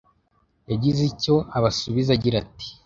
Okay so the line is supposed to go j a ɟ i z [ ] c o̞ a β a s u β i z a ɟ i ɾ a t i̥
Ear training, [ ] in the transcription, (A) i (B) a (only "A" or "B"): A